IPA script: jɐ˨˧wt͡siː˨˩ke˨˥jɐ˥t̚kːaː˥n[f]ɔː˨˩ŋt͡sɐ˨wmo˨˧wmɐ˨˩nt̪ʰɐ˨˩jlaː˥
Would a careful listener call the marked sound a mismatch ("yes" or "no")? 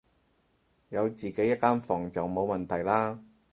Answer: no